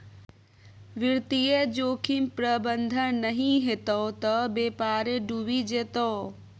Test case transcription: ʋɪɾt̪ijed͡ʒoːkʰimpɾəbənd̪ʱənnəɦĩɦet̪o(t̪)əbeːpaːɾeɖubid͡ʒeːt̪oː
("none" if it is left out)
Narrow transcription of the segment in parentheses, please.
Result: t̪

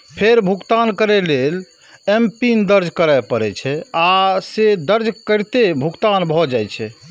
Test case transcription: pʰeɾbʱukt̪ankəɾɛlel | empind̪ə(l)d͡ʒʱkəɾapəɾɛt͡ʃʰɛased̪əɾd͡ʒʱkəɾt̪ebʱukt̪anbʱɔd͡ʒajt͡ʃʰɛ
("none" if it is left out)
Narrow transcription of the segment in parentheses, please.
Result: ɾ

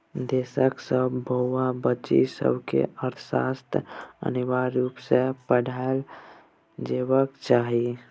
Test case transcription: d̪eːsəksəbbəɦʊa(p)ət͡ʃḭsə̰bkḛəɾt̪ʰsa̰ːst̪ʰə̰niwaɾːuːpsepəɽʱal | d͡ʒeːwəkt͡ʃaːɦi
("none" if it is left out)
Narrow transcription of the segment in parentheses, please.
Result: b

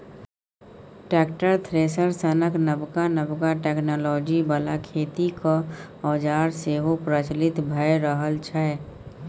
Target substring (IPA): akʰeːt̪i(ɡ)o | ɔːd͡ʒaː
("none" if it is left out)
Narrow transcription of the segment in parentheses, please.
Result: k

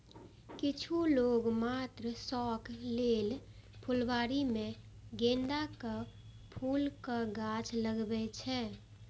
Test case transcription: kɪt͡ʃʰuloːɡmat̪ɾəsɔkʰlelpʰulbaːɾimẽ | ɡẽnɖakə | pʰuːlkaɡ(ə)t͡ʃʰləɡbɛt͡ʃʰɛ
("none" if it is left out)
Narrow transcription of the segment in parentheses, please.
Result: a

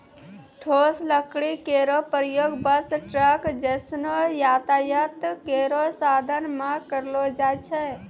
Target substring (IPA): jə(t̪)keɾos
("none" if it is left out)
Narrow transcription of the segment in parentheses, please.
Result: t̪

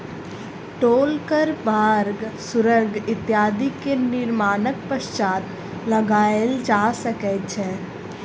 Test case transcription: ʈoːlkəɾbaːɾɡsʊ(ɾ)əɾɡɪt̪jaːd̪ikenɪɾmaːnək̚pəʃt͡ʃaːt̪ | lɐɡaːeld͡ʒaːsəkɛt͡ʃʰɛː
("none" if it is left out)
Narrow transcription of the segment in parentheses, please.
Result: ɾ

